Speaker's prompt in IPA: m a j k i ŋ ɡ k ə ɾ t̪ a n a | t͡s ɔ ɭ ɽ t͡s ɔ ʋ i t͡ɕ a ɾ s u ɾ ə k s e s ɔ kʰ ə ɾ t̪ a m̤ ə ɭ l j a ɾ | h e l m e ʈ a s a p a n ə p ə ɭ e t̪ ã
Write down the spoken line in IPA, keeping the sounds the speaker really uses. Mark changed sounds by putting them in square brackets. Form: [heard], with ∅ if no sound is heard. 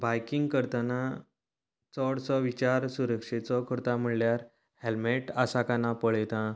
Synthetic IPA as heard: [b] a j k i ŋ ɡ k ə ɾ t̪ a n a | t͡s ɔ [∅] ɽ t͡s ɔ ʋ i t͡ɕ a ɾ s u ɾ ə k [ʂ] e [t͡s] ɔ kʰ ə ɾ t̪ a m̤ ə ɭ l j a ɾ | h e l m e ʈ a s a [k] a n [a] p ə ɭ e t̪ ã